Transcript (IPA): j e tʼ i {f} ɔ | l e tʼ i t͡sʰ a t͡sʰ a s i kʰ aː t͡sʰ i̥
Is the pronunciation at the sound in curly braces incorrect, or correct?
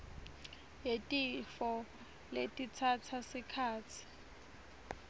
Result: correct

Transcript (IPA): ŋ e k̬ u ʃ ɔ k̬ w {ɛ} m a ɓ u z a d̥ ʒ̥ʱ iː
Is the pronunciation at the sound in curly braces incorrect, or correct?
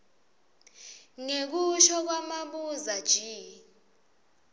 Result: incorrect: a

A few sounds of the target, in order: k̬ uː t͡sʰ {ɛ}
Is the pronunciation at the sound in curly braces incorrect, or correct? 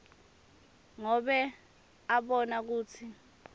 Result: incorrect: i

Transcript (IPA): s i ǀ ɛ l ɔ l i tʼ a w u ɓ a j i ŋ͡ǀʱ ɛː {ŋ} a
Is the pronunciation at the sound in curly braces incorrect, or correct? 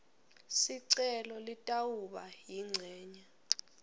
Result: incorrect: ɲ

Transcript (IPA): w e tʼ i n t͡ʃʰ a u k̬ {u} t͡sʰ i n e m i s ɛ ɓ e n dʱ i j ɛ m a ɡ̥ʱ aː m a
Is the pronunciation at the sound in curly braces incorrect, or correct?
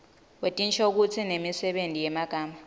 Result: correct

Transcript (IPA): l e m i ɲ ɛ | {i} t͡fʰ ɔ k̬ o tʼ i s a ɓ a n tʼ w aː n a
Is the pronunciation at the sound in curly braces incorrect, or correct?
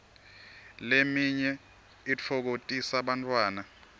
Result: correct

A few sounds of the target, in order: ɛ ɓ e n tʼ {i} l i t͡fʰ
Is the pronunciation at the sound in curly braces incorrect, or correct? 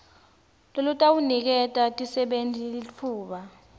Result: correct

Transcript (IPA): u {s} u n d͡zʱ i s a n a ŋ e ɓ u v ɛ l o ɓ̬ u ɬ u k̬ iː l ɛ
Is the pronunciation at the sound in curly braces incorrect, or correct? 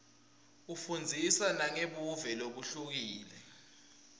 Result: incorrect: f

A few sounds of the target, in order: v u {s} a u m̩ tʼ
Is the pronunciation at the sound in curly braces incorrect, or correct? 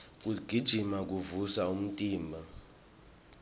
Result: correct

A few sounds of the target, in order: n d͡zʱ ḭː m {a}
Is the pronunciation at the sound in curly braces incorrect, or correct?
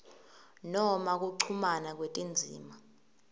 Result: correct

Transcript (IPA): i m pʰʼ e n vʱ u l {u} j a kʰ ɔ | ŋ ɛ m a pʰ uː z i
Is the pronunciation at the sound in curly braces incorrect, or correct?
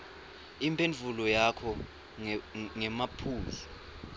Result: incorrect: ɔ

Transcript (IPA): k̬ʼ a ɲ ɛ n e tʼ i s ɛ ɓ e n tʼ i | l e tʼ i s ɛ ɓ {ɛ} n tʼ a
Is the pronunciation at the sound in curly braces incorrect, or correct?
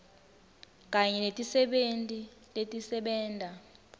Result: incorrect: ɛː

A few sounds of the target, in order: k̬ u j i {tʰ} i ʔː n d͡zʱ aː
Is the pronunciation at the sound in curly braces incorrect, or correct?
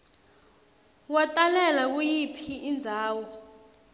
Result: incorrect: pʰ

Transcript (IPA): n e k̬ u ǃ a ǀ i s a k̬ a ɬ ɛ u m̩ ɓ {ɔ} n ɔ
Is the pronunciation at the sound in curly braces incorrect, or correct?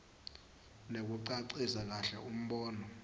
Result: incorrect: ɔː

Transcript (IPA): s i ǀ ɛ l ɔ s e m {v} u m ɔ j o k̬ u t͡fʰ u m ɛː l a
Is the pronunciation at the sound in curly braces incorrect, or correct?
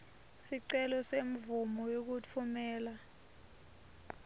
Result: correct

